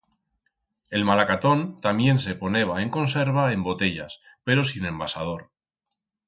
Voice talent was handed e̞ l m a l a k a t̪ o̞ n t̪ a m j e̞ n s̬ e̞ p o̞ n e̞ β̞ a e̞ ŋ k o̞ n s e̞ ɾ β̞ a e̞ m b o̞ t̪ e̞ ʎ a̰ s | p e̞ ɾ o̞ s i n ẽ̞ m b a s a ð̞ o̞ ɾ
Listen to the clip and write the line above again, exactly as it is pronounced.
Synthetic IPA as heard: e̞ l m a l a k a t̪ o̞ n t̪ a m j e̞ n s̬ e̞ p o̞ n e̞ β̞ a e̞ ŋ k o̞ n s e̞ ɾ β̞ a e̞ m b o̞ t̪ e̞ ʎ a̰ s | p e̞ ɾ o̞ s i n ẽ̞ m b a s a ð̞ o̞ ɾ